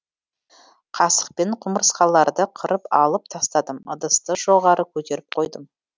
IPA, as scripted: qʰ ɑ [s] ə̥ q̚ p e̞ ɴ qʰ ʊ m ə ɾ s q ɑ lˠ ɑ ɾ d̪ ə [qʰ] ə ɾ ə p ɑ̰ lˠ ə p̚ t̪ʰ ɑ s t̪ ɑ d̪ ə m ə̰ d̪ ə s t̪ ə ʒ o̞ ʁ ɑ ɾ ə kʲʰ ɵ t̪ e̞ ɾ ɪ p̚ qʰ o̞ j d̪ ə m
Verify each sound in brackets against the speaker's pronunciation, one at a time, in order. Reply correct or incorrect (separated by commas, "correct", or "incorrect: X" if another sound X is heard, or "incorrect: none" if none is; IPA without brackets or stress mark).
correct, correct